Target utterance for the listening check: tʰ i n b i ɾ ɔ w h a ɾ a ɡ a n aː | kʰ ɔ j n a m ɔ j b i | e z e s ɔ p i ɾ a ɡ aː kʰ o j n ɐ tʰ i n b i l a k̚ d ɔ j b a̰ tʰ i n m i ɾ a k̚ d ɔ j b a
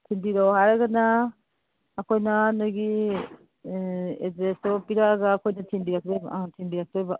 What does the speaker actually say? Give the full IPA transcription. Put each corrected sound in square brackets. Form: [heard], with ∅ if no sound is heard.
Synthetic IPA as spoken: tʰ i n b i ɾ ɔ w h a ɾ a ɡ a n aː | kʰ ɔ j n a [n] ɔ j [ɡ] i | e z e s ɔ p i ɾ a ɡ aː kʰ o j n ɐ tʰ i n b i [ɾ] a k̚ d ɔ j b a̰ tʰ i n [b] i ɾ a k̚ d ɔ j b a